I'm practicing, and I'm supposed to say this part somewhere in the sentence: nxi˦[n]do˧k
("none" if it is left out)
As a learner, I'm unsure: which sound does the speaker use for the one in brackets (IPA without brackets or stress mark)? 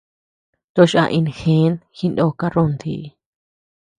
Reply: n